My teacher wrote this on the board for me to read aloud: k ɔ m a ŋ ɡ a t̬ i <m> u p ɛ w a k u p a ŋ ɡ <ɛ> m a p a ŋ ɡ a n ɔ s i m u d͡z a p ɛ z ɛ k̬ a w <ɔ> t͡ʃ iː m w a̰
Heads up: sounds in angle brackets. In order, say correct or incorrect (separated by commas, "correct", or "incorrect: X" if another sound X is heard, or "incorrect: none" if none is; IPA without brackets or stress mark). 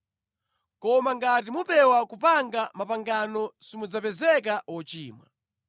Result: correct, incorrect: a, correct